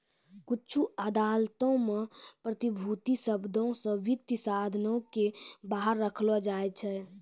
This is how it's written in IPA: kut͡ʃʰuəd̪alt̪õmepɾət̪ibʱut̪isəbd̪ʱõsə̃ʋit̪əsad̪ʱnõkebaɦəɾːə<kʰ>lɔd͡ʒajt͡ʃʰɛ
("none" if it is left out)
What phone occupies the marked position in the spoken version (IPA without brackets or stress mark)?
kʰ